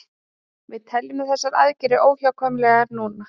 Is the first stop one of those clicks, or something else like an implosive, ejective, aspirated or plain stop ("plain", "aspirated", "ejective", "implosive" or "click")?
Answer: aspirated